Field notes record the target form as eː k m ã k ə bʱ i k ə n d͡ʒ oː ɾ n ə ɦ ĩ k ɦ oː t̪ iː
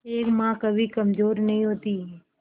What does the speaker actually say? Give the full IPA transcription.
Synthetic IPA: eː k m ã k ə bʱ i k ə m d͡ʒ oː ɾ n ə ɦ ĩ ɦ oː t̪ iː